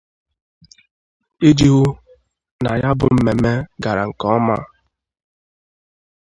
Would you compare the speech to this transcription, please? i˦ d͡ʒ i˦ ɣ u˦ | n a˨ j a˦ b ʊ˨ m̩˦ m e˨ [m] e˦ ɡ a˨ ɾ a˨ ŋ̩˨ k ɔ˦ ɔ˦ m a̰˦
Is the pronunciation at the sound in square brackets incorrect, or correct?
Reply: correct